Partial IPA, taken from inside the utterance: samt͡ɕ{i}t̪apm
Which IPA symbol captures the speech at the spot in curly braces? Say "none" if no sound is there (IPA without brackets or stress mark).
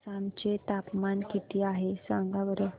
e